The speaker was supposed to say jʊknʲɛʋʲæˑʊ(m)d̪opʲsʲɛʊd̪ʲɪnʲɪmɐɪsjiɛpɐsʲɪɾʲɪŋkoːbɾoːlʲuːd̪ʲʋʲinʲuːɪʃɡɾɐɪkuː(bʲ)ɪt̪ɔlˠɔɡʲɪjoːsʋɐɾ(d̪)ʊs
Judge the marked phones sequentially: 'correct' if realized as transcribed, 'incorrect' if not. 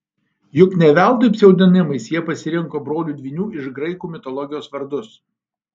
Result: incorrect, incorrect, correct

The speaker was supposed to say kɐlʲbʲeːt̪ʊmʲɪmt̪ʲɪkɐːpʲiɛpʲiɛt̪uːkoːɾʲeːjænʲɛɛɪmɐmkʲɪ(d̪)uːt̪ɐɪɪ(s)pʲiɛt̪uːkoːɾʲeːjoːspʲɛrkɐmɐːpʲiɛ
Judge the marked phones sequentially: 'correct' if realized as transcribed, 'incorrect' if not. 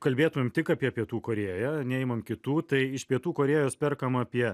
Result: incorrect, incorrect

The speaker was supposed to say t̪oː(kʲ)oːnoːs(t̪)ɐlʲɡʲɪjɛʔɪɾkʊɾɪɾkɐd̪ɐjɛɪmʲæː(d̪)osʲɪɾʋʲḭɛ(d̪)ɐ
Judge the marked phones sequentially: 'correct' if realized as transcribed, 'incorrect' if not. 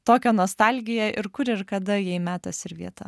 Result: correct, correct, incorrect, incorrect

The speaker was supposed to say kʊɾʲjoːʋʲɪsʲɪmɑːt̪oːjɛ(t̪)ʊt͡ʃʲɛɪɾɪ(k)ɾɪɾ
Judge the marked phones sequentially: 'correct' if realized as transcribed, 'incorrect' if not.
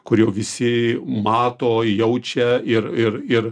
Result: incorrect, incorrect

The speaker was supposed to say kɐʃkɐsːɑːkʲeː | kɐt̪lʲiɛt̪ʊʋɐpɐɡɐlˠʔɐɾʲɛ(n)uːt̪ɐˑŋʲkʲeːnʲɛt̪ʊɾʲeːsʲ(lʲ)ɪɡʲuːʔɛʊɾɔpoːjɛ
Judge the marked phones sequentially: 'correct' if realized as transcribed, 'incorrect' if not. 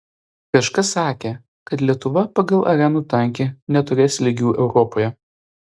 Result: correct, correct

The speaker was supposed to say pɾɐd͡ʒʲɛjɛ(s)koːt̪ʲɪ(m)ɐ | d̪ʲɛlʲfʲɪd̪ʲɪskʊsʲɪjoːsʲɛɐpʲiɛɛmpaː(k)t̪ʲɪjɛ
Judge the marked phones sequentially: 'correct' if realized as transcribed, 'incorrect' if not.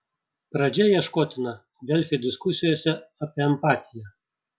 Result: incorrect, incorrect, incorrect

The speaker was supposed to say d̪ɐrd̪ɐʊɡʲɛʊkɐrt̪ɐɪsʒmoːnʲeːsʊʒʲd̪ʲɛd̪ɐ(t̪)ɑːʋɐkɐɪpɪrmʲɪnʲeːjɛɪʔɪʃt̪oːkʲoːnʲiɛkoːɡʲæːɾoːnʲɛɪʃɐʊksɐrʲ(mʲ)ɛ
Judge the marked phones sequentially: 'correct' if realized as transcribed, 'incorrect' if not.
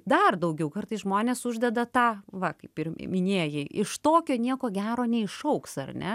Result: correct, incorrect

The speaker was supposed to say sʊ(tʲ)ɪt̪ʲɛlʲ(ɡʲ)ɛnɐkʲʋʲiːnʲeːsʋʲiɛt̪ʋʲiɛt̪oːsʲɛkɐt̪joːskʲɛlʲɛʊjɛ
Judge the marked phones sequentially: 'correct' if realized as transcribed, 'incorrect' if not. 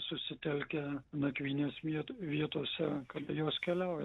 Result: incorrect, incorrect

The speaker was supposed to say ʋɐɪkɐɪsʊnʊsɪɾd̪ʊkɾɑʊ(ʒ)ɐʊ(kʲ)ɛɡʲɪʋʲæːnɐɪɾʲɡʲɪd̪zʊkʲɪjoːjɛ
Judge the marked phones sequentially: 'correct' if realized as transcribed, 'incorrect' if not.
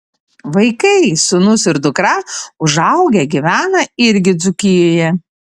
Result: correct, incorrect

